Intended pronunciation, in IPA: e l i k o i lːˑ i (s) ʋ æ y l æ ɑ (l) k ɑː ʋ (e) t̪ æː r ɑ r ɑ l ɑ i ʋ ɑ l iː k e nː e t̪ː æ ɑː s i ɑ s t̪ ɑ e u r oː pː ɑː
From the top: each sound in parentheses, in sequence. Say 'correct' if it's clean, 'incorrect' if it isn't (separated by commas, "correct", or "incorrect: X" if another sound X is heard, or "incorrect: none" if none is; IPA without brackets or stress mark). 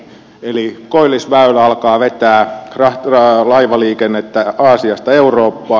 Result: correct, correct, correct